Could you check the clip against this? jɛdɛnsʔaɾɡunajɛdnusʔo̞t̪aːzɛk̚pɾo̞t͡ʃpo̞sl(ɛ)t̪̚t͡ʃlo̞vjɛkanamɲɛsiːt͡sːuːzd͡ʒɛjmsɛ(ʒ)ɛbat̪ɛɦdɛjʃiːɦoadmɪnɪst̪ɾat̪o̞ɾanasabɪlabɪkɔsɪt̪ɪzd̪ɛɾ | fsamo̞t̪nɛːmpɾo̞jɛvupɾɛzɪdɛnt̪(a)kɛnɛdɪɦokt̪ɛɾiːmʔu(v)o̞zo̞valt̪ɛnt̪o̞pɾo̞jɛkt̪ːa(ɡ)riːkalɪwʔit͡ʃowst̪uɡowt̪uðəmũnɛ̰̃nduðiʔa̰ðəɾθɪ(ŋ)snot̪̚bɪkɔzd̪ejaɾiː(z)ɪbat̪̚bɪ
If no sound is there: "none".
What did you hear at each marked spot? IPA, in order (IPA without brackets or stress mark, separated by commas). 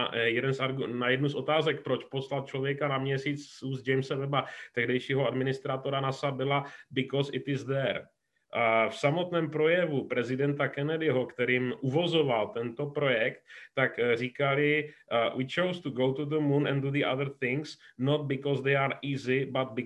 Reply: a, v, a, v, k, ŋ, z